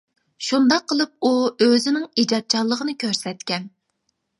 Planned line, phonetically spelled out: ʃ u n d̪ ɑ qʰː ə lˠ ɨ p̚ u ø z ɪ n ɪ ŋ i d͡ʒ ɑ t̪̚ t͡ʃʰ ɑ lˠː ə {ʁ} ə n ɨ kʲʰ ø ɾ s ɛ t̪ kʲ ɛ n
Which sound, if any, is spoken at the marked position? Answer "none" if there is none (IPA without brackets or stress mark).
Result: ʁ